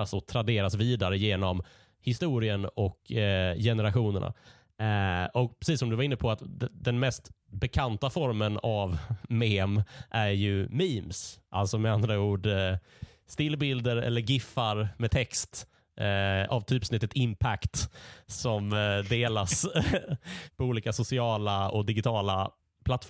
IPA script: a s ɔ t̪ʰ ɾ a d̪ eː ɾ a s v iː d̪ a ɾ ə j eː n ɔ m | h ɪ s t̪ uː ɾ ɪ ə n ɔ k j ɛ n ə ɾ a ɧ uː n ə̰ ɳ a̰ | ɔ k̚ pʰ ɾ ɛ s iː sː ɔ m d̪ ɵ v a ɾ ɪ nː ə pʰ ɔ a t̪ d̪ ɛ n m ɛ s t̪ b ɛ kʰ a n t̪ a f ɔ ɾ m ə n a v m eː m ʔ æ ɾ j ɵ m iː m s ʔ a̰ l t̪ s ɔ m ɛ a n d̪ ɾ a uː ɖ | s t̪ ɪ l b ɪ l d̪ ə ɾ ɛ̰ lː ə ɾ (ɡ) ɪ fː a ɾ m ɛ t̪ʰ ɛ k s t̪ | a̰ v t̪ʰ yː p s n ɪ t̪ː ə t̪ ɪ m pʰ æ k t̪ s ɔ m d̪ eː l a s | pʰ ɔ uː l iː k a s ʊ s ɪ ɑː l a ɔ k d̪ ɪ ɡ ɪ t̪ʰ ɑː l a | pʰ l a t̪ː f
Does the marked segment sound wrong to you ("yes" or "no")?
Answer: no